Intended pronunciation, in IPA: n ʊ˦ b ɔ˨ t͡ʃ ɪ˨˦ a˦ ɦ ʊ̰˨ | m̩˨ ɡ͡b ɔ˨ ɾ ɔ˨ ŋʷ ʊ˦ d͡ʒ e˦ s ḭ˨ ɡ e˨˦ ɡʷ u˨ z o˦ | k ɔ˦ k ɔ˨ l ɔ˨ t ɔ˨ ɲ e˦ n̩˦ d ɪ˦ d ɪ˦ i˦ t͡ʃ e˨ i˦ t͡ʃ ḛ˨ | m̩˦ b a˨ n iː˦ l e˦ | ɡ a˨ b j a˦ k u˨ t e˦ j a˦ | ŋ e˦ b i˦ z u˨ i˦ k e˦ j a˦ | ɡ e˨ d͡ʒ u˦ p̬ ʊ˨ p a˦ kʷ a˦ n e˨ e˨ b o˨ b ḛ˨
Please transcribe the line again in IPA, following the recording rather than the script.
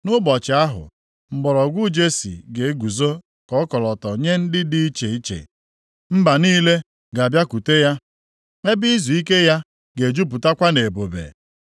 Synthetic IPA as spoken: n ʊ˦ b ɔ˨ t͡ʃ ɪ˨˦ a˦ ɦ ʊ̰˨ | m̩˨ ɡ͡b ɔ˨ ɾ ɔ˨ ɡʷ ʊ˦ d͡ʒ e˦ s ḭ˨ ɡ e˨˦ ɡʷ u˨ z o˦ | k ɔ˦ k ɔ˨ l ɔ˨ t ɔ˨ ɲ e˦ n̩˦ d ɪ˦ d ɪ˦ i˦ t͡ʃ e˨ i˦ t͡ʃ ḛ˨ | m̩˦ b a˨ n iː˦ l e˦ | ɡ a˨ b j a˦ k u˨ t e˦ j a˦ | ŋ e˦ b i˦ z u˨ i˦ k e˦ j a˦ | ɡ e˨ d͡ʒ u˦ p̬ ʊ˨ t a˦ kʷ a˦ n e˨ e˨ b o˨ b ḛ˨